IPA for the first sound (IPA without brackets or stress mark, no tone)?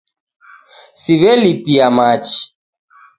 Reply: s